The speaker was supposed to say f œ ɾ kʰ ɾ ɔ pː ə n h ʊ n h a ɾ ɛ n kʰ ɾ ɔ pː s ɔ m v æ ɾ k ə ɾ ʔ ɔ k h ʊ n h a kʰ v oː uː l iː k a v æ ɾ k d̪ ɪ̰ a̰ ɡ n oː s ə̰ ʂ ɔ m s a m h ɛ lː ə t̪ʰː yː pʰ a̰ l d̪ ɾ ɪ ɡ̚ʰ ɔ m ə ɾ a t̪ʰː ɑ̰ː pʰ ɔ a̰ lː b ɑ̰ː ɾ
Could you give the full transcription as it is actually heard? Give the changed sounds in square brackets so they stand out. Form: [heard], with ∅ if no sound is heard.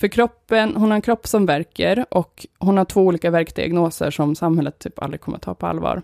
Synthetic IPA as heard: f œ ɾ kʰ ɾ ɔ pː ə n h ʊ n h a ɾ ɛ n kʰ ɾ ɔ pː s ɔ m v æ ɾ k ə ɾ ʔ ɔ k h ʊ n h a [ʈʰ] v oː uː l iː k a v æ ɾ k d̪ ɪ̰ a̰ ɡ n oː s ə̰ ʂ ɔ m s a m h ɛ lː ə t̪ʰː yː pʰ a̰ l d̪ ɾ ɪ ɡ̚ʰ ɔ m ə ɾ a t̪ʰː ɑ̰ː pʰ ɔ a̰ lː [v] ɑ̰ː ɾ